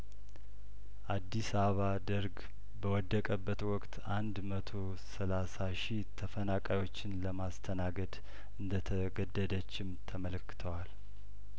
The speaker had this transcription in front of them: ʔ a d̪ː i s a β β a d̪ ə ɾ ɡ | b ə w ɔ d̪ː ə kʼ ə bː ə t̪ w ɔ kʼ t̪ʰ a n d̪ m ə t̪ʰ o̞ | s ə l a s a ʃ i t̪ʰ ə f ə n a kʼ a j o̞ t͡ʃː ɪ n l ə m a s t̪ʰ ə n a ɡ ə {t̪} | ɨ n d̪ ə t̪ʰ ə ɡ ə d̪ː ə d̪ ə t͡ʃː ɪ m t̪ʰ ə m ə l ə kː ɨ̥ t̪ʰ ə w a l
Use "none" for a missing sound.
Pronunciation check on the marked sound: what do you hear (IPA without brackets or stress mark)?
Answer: d̪